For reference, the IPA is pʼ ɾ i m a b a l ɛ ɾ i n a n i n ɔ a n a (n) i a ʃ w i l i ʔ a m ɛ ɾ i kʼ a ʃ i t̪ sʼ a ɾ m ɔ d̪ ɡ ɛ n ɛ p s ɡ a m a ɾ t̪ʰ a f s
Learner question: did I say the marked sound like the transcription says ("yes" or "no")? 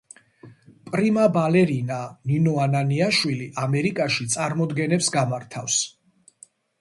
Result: yes